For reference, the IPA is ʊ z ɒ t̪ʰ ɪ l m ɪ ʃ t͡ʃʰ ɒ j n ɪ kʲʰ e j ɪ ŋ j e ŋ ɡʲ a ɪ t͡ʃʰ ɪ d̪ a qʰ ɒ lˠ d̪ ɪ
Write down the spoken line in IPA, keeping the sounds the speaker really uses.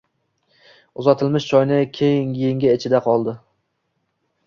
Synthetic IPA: ʊ z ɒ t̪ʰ ɪ l m ɪ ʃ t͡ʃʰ ɒ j n ɪ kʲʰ e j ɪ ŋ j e ŋ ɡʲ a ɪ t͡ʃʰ ɪ d̪ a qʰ ɒ lˠ d̪ ɪ